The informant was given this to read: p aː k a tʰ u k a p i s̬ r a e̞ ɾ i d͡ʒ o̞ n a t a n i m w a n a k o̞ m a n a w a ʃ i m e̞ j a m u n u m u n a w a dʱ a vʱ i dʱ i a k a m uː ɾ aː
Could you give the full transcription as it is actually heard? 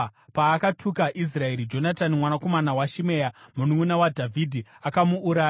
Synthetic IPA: p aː k a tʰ u k a ʔ i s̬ r a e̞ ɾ i d͡ʒ o̞ n a t a n i m w a n a k o̞ m a n a w a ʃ i m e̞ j a m u n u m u n a w a dʱ a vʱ i dʱ i a k a m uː ɾ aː